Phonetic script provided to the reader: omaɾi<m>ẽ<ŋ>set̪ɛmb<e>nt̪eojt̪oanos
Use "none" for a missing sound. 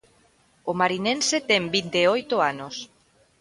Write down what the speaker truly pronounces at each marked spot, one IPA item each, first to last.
n, n, i

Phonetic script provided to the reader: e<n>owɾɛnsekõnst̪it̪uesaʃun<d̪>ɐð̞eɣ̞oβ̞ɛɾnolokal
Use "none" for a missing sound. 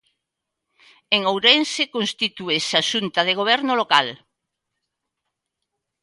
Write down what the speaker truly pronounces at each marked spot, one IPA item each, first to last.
ŋ, t̪

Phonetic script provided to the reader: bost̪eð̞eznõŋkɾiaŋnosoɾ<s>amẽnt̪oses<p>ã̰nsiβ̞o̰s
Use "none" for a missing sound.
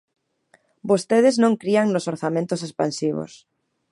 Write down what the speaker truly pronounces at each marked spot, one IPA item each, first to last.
θ, p

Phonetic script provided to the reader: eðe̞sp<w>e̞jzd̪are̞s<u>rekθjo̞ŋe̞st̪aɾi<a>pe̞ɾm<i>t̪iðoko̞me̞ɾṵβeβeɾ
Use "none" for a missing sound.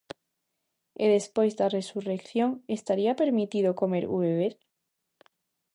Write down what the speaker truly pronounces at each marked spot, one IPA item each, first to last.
w, u, a, i

